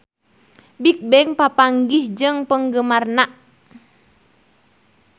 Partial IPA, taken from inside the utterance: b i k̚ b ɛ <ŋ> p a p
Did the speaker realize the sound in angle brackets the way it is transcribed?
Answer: yes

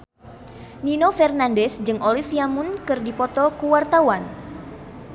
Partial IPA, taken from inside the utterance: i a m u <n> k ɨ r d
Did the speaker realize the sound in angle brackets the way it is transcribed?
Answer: yes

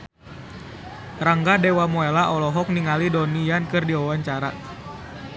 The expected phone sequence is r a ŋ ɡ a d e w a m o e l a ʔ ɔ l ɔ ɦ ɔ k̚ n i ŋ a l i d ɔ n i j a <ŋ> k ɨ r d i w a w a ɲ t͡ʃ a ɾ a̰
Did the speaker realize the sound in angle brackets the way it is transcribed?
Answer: no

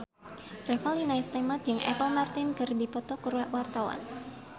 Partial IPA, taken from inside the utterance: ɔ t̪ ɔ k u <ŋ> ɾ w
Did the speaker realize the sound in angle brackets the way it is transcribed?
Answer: no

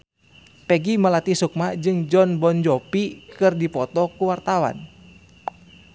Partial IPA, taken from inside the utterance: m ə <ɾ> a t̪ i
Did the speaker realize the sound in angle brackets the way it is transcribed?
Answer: no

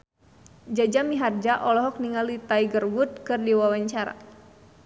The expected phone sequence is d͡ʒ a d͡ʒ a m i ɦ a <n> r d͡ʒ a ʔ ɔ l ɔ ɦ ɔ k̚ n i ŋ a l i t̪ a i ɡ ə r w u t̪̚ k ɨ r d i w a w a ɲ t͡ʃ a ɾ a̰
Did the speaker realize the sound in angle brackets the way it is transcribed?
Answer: no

